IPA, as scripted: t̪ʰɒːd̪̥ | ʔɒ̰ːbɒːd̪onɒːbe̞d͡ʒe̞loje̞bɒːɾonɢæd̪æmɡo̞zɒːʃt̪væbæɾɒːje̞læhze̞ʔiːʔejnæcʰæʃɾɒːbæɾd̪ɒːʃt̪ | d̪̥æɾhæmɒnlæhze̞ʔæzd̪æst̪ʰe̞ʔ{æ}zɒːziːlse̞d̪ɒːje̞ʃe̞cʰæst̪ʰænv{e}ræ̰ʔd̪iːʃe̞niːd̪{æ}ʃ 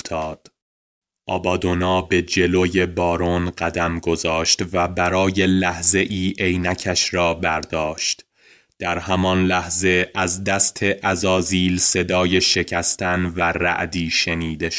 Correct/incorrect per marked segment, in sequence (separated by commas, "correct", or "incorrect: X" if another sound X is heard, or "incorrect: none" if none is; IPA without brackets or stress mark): correct, incorrect: æ, incorrect: e